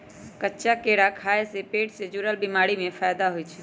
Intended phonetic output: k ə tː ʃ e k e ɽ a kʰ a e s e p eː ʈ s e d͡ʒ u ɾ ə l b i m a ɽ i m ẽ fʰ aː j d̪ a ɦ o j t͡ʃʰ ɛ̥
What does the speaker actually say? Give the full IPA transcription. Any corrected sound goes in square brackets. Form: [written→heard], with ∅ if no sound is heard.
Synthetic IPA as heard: k ə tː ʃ [e→a] k e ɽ a kʰ a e s e p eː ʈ s e d͡ʒ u ɾ ə l b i m a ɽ i m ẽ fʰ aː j d̪ a ɦ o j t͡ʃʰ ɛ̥